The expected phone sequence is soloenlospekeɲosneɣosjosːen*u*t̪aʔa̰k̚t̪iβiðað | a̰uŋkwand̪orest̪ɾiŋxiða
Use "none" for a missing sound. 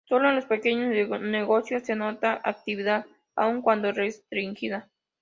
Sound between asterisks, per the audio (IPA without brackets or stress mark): o